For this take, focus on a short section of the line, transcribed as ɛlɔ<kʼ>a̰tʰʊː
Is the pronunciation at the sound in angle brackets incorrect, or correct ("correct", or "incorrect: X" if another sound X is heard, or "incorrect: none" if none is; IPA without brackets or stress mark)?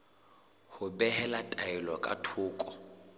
correct